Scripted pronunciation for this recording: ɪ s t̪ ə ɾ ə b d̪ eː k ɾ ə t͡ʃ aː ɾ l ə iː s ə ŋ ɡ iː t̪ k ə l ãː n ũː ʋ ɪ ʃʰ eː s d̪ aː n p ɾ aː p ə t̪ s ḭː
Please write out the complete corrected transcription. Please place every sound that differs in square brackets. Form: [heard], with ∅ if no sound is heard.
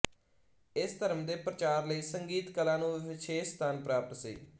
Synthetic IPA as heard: ɪ s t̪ ə ɾ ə [m] d̪ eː [p] ɾ ə t͡ʃ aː ɾ l ə iː s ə ŋ ɡ iː t̪ k ə l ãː n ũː ʋ ɪ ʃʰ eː s [t̪] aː n p ɾ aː p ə t̪ s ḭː